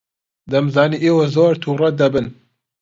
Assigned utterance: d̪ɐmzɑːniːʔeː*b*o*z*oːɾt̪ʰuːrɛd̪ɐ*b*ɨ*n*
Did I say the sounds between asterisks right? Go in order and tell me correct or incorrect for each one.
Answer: incorrect, correct, correct, correct

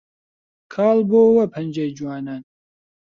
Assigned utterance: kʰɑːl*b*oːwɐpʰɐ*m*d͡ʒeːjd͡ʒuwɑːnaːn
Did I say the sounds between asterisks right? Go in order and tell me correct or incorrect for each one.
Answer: correct, incorrect

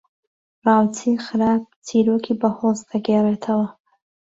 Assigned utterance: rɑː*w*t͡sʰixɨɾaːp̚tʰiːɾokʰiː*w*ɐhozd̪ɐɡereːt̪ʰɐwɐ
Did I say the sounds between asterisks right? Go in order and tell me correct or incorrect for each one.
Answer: correct, incorrect

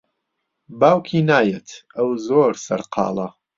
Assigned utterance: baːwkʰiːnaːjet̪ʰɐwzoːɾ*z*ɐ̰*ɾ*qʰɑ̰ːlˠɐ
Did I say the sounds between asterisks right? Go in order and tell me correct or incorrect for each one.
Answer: incorrect, correct

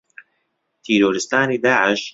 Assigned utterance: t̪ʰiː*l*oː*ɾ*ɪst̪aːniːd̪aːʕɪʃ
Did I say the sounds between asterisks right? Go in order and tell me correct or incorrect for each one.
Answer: incorrect, correct

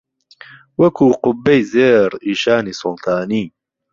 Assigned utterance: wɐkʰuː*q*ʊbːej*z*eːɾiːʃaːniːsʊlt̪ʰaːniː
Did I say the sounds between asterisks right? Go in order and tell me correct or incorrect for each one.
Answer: correct, correct

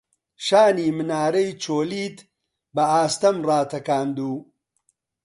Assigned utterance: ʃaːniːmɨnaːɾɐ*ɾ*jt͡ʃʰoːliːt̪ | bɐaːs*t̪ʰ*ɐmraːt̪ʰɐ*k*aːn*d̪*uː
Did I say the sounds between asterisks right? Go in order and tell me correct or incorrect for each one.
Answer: incorrect, incorrect, correct, correct

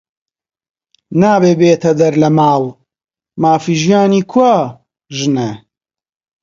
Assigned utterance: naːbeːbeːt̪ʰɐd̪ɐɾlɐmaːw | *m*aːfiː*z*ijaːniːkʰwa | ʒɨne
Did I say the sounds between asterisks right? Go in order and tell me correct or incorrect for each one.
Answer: correct, incorrect

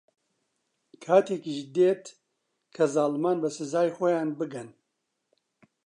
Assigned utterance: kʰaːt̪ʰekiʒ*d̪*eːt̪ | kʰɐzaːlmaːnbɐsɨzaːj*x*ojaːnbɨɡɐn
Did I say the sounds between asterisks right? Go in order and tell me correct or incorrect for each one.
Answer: correct, correct

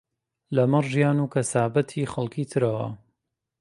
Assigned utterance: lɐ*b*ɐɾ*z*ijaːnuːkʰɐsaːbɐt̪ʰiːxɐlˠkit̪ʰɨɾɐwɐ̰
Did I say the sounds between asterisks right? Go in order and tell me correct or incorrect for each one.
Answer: incorrect, incorrect

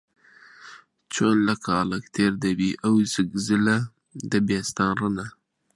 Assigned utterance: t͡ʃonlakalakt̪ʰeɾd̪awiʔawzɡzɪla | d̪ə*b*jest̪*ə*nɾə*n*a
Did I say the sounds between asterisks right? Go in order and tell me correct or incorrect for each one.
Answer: correct, incorrect, correct

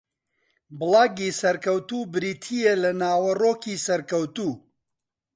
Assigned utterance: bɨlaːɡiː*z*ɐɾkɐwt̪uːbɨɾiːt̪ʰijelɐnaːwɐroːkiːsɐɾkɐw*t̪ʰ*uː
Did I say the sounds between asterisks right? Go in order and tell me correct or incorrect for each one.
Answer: incorrect, incorrect

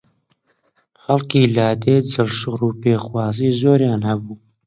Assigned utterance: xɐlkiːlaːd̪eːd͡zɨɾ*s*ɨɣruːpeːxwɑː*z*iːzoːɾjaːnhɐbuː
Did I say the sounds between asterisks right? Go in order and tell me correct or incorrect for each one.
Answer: incorrect, correct

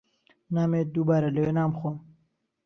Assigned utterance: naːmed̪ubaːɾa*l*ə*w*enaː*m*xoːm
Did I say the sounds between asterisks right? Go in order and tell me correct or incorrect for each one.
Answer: correct, correct, correct

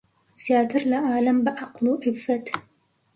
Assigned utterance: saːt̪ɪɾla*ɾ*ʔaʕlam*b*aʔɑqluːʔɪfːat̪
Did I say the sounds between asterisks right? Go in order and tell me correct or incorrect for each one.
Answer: incorrect, correct

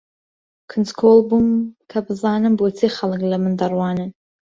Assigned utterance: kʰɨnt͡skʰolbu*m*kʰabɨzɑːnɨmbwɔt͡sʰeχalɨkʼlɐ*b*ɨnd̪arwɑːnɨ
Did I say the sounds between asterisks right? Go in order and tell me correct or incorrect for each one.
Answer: correct, incorrect

